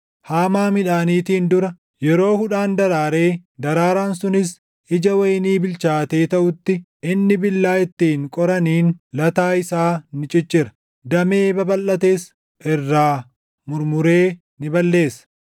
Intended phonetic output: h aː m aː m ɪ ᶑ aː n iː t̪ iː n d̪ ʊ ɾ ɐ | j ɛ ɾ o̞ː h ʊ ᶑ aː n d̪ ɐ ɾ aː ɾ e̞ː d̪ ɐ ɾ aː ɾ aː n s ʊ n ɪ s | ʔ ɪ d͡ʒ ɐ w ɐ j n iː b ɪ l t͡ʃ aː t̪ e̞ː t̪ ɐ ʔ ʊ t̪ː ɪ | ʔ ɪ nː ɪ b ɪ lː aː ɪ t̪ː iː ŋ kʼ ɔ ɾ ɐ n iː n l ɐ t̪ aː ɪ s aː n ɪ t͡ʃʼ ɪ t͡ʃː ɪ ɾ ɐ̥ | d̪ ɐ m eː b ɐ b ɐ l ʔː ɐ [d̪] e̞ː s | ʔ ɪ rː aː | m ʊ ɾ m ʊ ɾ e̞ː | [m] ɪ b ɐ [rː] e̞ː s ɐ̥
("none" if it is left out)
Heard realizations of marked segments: t̪, n, lː

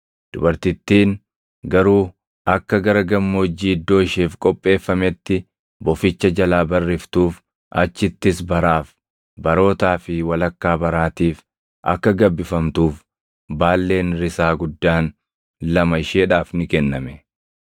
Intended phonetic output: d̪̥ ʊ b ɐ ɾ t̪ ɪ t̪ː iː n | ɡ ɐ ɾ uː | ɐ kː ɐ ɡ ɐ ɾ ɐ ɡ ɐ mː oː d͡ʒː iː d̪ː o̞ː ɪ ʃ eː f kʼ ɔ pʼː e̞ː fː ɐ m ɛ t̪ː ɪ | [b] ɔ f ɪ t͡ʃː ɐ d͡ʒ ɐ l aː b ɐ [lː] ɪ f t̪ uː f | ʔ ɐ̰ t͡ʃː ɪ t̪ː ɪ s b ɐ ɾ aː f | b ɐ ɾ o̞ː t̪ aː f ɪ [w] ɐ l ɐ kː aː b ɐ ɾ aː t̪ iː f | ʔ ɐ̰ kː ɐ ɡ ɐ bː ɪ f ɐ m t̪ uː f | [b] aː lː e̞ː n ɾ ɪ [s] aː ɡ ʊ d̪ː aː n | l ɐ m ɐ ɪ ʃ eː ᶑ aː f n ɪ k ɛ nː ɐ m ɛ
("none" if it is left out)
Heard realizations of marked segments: b, rː, w, b, s

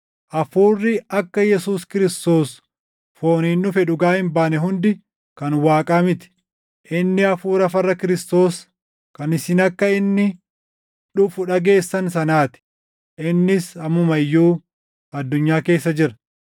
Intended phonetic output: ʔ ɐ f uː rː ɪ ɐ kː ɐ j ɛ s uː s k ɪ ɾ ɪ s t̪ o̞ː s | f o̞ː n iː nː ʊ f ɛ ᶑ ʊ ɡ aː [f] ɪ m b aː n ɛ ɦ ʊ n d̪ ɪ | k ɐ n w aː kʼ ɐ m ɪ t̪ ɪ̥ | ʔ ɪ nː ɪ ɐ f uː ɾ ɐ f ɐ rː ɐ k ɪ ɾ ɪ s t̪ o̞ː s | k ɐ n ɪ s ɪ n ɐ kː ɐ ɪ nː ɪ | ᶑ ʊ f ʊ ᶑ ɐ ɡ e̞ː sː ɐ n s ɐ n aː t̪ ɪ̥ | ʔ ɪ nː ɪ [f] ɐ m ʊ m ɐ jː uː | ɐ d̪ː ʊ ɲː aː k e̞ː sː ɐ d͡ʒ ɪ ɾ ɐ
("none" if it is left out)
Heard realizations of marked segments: h, s

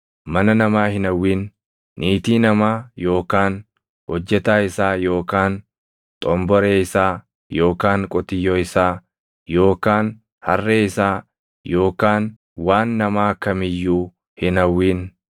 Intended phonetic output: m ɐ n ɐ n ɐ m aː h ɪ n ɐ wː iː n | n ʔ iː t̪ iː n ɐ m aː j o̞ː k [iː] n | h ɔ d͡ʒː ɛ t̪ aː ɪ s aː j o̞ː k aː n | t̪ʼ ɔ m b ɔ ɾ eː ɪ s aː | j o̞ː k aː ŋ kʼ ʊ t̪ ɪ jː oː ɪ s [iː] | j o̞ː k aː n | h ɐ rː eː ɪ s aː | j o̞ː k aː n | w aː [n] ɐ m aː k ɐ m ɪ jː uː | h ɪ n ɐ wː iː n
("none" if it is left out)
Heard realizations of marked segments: aː, aː, nː

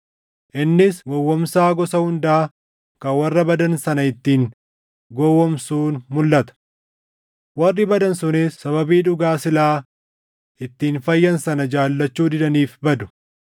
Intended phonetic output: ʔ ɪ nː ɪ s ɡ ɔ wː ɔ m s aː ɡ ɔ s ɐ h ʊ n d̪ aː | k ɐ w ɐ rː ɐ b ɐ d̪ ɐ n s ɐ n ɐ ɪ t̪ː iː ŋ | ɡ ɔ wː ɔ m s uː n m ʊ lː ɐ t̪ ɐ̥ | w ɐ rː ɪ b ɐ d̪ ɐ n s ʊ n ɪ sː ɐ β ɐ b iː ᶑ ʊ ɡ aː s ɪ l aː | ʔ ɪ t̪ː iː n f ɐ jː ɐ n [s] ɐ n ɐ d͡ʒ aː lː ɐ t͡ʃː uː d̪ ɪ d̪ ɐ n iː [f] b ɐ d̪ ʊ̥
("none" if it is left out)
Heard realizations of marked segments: s, f

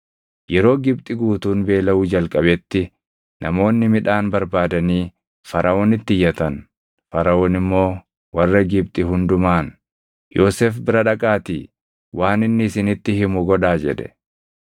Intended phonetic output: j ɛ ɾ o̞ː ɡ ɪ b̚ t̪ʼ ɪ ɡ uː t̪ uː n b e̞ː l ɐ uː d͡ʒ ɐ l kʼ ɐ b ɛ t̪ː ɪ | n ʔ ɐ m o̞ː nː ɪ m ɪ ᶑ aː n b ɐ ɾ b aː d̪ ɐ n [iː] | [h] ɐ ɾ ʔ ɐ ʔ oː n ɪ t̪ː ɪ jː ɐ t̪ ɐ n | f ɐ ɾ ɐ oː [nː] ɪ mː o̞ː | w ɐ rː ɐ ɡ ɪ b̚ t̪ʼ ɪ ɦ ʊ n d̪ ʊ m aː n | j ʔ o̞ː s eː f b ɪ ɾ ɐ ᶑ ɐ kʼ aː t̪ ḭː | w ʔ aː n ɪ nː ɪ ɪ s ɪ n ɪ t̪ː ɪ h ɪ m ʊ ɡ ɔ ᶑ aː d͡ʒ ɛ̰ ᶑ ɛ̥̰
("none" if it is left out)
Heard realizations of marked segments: iː, f, n

